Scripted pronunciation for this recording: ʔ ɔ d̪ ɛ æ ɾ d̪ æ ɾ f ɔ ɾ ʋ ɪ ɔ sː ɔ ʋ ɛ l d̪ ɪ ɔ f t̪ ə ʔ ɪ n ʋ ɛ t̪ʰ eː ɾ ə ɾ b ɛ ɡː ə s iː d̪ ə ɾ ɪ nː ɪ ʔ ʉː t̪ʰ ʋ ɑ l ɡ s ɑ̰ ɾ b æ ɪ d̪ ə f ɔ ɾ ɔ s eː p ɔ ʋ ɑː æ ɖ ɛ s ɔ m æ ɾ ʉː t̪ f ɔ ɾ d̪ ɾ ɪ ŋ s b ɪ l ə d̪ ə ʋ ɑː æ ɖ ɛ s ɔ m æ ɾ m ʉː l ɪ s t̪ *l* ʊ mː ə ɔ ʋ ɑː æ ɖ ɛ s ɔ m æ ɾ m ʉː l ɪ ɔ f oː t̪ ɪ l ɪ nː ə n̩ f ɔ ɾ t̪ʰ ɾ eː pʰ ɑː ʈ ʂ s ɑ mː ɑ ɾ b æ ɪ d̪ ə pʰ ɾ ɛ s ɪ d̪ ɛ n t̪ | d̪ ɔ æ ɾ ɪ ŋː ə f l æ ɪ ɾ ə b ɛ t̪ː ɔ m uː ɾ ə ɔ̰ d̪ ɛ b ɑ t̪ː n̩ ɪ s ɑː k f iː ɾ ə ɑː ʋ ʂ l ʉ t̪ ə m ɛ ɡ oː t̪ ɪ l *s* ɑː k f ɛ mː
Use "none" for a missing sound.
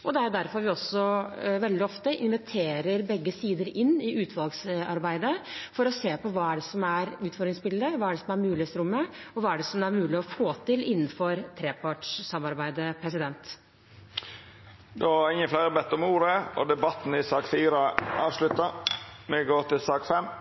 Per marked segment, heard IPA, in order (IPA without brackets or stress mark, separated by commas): ɾ, s